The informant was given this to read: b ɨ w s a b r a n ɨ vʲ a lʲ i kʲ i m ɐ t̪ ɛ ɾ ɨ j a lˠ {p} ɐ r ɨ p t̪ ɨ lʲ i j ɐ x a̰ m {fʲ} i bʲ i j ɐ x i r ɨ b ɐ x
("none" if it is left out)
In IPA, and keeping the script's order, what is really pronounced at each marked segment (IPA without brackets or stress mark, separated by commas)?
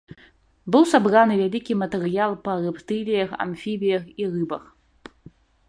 p, fʲ